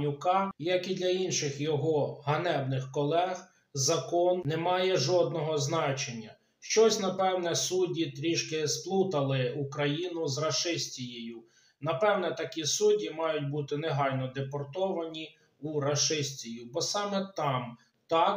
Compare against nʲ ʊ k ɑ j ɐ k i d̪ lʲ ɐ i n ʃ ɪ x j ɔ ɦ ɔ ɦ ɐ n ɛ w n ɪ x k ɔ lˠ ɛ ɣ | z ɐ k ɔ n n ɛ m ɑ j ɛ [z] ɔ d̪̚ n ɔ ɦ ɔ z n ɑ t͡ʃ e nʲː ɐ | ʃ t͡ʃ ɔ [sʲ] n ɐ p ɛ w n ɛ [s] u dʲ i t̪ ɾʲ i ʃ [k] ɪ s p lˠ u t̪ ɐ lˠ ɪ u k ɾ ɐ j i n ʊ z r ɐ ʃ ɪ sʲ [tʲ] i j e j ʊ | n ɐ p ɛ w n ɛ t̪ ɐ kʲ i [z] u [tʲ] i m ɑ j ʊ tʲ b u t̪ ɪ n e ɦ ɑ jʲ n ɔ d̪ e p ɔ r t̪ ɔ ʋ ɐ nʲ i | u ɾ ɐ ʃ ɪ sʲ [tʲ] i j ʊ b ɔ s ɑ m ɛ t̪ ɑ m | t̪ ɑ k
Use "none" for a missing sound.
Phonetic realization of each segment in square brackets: ʒ, sʲ, s, k, tʲ, s, dʲ, tʲ

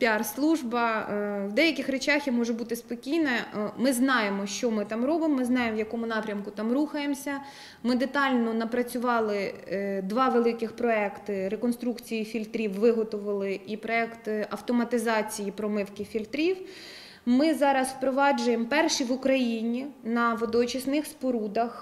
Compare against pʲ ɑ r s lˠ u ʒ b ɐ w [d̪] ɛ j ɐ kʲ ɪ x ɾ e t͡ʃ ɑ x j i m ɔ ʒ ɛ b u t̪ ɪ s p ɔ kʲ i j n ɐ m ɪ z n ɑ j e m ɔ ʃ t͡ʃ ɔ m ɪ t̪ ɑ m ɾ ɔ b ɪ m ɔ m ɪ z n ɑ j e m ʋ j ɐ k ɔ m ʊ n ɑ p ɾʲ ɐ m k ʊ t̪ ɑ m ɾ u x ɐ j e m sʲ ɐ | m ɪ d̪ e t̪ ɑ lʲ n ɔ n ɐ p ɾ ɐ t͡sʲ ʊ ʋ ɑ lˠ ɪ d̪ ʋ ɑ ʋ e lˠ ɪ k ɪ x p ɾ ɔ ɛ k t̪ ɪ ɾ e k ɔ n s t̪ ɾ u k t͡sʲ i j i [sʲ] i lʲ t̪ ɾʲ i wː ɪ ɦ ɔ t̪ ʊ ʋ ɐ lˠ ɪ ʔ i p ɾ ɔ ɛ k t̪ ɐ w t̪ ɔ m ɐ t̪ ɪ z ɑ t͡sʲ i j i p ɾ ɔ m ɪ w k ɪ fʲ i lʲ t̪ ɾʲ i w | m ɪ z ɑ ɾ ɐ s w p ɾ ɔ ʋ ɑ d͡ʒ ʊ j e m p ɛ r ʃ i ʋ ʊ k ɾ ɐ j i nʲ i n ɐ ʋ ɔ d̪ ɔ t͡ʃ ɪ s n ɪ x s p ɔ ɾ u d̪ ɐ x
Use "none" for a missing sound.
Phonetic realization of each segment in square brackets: d̪, fʲ

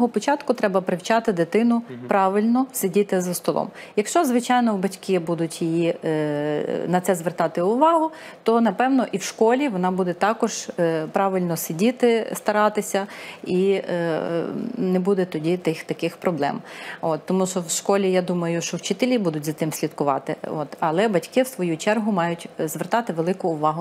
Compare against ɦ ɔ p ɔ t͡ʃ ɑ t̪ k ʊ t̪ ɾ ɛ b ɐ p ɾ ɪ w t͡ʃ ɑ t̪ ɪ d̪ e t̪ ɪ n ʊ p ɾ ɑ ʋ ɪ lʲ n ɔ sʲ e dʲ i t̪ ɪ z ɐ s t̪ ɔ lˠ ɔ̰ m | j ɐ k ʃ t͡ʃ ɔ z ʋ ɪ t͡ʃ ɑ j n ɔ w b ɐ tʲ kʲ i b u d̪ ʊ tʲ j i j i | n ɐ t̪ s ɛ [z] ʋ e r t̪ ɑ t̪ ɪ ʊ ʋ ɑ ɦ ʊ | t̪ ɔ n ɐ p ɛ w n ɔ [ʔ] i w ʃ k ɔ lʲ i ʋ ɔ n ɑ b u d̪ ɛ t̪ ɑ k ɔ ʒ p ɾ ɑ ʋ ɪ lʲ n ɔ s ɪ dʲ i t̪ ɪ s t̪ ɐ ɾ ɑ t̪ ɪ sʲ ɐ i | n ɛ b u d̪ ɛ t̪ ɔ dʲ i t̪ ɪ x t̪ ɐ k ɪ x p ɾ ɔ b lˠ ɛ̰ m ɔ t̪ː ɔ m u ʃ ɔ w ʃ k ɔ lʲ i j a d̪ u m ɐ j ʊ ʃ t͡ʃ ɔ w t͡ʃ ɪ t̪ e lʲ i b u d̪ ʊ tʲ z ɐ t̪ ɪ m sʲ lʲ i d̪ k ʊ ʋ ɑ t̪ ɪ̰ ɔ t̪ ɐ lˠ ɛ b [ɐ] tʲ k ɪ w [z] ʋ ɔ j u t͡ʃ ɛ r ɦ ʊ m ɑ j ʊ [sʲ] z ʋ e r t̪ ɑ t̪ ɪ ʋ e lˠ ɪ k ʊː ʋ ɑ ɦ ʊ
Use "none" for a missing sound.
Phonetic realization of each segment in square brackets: z, ʔ, ɐ, s, tʲ

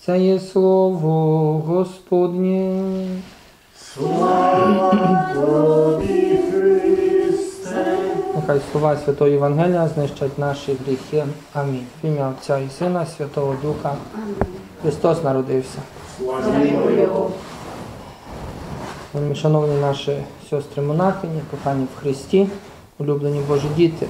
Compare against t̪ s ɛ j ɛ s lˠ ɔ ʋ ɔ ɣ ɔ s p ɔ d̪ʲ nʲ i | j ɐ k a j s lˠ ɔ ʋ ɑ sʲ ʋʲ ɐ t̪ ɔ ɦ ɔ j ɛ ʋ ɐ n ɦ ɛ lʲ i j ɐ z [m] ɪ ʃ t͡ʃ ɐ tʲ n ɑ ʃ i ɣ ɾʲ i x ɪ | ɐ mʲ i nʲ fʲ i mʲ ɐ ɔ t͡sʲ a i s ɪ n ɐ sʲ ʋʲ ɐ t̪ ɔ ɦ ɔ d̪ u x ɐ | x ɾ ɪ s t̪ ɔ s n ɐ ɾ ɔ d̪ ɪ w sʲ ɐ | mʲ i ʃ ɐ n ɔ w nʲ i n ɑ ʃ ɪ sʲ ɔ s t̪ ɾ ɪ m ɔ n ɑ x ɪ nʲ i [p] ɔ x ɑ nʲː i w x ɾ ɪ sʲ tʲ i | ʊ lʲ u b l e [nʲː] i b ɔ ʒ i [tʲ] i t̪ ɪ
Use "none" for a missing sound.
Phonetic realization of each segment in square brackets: n, p, nʲ, dʲ

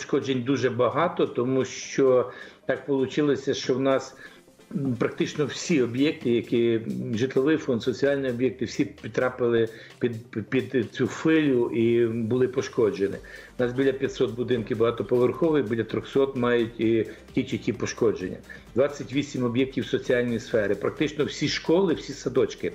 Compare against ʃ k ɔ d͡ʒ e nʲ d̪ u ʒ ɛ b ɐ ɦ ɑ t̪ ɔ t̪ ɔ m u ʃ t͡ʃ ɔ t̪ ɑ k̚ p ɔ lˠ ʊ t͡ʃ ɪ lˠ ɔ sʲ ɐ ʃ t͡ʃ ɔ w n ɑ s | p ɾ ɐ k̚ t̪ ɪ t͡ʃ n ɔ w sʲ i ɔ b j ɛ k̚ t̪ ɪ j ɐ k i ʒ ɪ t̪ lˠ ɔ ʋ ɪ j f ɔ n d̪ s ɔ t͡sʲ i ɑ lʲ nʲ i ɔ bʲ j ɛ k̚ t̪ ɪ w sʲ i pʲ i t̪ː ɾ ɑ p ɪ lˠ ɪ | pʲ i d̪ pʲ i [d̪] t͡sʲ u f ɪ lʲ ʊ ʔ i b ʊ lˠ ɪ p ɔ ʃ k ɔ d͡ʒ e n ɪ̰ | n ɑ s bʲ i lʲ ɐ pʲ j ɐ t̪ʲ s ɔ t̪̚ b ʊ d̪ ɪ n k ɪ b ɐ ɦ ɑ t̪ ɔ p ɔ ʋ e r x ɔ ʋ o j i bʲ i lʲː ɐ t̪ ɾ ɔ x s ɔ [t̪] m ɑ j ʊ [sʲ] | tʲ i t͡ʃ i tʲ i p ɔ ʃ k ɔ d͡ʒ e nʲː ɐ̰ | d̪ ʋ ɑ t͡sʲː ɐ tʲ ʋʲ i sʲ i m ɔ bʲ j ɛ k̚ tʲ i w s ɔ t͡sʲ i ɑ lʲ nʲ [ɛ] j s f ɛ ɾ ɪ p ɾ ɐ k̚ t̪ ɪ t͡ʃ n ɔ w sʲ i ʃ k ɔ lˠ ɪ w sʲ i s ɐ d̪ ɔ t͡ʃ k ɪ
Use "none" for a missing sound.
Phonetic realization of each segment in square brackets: d̪, t̪, tʲ, i

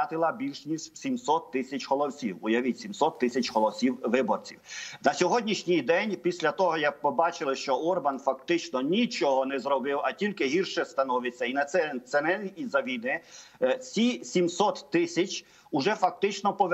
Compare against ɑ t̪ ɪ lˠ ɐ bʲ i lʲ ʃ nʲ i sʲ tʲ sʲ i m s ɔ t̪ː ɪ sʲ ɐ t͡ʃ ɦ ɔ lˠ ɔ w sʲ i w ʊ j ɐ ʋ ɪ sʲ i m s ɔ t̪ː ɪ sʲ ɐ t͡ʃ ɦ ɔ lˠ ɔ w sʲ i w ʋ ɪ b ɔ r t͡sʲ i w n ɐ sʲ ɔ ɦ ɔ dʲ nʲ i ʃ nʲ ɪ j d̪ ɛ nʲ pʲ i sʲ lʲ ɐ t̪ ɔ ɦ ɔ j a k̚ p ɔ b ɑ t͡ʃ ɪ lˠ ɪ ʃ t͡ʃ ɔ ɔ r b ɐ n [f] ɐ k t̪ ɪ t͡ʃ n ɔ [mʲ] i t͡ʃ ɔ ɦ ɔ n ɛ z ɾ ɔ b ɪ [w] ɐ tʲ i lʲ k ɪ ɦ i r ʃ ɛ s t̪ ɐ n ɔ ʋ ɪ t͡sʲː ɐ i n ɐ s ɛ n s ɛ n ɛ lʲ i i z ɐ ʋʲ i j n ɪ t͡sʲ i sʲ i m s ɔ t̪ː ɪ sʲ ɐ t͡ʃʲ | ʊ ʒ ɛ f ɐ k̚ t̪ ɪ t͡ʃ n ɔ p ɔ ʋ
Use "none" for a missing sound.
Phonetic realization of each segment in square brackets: f, nʲ, w

